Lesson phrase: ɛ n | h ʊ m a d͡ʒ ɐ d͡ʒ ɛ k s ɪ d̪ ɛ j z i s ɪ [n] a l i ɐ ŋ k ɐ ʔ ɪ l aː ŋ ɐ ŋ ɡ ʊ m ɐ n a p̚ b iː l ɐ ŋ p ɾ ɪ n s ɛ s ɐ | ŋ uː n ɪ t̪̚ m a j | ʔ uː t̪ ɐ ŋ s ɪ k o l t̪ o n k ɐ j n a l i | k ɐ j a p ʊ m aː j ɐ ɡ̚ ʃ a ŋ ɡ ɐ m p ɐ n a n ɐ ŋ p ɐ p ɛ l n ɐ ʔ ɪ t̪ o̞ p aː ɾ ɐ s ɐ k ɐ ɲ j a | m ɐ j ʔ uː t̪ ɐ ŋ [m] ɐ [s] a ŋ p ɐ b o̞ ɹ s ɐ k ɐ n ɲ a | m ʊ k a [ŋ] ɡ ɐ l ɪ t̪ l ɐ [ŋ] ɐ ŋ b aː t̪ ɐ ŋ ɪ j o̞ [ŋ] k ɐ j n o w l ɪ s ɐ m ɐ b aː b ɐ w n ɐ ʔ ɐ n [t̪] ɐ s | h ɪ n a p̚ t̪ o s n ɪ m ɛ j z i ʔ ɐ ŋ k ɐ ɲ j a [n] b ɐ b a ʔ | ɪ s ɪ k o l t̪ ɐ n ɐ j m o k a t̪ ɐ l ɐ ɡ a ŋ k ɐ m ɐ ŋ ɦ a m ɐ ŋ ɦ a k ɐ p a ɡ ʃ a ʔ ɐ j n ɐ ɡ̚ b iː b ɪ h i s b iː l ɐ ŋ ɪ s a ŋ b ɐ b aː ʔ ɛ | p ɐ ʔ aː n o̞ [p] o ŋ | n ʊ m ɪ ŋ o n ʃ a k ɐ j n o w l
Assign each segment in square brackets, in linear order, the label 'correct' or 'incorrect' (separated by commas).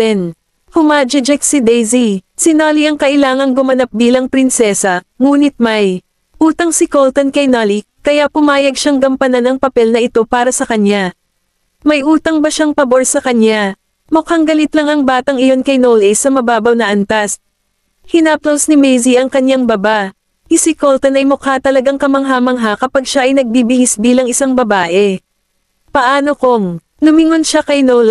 correct, incorrect, incorrect, correct, correct, incorrect, correct, incorrect, incorrect